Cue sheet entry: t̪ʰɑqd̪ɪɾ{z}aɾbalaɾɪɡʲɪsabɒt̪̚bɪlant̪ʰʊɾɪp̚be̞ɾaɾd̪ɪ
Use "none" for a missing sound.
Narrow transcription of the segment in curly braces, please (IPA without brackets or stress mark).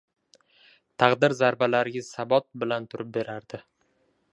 z